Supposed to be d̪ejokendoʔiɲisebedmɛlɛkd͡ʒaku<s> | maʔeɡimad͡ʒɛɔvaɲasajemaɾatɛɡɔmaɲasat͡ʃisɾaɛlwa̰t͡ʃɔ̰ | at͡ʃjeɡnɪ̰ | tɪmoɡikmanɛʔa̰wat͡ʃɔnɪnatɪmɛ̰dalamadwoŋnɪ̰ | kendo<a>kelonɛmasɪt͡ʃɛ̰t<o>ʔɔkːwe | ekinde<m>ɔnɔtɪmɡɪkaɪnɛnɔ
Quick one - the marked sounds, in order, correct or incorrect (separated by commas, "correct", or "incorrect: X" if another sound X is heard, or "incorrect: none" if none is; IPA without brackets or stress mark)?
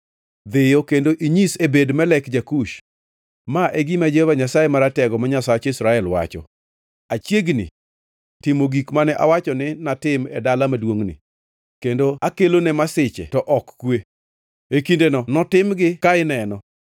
incorrect: ʃ, correct, incorrect: ɔ, incorrect: n